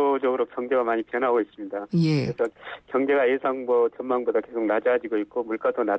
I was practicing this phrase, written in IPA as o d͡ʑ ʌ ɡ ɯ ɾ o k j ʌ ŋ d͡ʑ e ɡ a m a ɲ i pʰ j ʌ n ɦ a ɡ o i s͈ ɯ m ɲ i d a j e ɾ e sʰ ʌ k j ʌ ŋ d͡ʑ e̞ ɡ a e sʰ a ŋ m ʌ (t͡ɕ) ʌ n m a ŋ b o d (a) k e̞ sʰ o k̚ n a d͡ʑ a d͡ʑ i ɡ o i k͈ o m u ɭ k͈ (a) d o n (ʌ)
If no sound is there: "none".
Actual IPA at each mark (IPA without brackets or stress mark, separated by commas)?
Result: t͡ɕ, a, a, a